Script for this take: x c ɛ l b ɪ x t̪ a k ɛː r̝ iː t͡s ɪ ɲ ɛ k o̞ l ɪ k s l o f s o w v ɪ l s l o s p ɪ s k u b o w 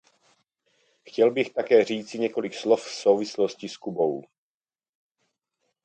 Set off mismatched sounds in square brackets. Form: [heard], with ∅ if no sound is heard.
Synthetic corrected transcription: x c ɛ l b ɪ x t̪ a k ɛː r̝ iː t͡s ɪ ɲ ɛ k o̞ l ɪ k s l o f s o w v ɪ [∅] s l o s [c] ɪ s k u b o w